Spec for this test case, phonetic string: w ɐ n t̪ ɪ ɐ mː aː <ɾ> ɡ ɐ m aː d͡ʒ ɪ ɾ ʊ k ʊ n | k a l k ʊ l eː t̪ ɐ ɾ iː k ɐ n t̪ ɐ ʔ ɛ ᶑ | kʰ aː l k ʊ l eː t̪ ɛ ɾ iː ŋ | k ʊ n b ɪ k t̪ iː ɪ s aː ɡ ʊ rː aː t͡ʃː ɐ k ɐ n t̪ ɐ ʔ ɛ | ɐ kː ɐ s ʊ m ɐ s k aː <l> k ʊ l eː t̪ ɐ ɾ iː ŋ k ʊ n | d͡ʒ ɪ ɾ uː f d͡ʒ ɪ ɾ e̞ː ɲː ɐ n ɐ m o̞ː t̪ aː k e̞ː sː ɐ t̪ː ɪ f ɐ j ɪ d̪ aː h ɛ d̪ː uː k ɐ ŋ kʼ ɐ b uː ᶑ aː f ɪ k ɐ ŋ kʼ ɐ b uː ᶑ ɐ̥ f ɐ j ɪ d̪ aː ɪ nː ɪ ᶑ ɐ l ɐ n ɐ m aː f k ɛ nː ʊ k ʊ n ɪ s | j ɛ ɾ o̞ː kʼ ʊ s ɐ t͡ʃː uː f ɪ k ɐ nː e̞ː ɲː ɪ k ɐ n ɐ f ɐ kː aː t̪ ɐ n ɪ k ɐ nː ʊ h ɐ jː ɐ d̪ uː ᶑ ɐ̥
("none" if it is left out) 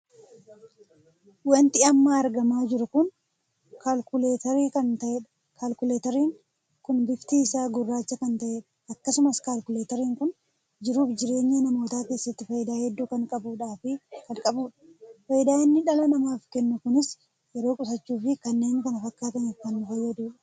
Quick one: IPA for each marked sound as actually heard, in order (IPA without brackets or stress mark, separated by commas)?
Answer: ɾ, l